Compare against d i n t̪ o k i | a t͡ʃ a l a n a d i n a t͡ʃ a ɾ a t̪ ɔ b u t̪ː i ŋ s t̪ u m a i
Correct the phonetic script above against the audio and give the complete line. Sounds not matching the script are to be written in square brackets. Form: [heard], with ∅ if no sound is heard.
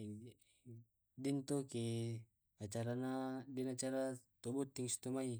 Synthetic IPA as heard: d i n t̪ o k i | a t͡ʃ a [ɾ] a n a d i n a t͡ʃ a ɾ a t̪ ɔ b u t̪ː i ŋ s t̪ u m a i